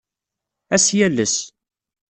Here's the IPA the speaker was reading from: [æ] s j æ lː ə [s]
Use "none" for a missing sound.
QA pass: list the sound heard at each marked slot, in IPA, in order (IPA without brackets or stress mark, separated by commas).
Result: æ, s